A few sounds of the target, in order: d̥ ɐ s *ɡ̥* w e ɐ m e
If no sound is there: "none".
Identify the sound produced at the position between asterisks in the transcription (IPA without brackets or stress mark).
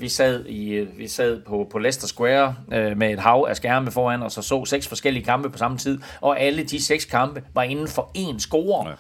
ɡ̥